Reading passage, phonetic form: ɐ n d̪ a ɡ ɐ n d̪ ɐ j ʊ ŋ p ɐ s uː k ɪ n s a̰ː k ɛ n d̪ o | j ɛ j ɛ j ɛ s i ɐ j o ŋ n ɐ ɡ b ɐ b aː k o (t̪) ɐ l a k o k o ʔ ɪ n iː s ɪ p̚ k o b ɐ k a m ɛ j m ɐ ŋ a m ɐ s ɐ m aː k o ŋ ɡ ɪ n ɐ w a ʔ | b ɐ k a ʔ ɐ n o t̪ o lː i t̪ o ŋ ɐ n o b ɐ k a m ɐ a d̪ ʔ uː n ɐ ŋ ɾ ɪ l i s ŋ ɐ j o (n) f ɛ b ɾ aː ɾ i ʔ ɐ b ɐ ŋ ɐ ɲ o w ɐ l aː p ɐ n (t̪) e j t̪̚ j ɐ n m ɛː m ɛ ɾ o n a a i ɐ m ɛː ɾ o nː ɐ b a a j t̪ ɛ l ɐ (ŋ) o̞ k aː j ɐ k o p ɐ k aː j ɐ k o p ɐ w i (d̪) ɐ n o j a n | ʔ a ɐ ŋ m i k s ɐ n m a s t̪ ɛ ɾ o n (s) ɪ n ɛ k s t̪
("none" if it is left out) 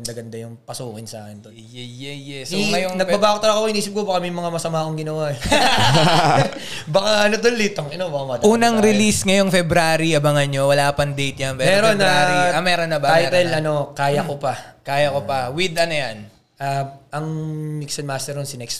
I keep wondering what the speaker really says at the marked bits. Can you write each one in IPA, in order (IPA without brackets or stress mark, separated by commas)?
t̪, ŋ, d̪, n, d̪, s